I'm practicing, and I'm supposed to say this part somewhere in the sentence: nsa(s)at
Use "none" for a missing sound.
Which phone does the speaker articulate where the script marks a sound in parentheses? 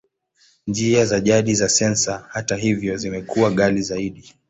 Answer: h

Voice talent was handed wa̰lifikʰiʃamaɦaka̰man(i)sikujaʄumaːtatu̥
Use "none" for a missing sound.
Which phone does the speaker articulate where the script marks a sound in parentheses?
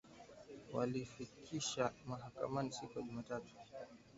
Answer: i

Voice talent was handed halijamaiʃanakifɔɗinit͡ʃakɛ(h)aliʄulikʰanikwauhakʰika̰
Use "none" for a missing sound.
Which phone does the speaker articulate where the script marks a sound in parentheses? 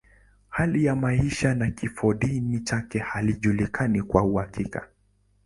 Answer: h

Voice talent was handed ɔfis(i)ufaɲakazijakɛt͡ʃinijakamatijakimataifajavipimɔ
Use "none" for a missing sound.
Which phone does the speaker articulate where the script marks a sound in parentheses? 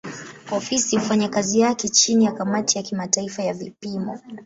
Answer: i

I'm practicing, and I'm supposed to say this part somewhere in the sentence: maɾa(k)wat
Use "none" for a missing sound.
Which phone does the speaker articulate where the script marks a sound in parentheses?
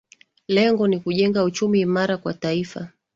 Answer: k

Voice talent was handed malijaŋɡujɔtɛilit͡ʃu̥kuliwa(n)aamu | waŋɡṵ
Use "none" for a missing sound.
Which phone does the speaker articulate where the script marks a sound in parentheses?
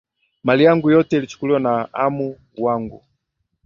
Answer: n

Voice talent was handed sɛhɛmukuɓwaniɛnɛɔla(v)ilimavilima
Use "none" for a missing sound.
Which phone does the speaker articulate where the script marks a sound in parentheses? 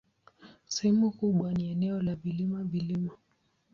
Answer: v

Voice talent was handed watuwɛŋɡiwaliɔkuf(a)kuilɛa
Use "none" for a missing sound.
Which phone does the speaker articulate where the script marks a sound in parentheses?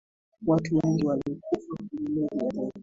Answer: a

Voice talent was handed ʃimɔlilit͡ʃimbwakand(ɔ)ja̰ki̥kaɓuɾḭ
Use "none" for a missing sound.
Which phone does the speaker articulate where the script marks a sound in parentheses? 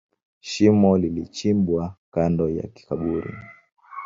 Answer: ɔ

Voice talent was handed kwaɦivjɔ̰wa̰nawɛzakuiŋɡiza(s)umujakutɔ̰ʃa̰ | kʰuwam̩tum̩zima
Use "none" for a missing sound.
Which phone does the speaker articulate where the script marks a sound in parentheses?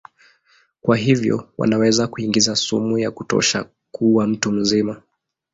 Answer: s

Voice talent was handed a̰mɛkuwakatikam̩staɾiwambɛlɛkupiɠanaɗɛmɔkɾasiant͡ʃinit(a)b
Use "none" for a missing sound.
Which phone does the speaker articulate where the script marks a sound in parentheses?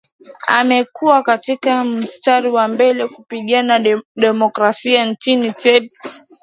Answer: ɛ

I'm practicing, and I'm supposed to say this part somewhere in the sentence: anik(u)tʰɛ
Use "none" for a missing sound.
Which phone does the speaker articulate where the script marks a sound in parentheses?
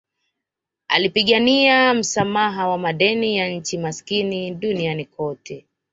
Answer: ɔ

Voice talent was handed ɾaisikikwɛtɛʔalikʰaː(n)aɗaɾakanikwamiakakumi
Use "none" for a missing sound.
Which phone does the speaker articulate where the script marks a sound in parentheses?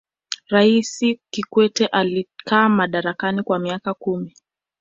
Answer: m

